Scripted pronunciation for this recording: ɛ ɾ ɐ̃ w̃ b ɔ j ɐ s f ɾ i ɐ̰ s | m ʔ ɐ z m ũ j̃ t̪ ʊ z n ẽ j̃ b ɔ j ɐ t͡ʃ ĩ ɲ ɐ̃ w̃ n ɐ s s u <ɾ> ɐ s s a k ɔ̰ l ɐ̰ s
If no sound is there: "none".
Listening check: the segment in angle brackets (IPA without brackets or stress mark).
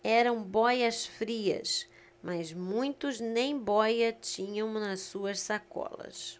none